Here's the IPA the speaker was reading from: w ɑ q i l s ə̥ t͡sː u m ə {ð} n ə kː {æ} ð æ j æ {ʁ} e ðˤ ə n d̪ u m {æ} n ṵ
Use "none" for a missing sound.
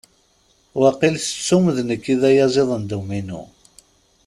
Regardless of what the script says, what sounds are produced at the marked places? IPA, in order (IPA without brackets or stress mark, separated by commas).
ð, i, z, i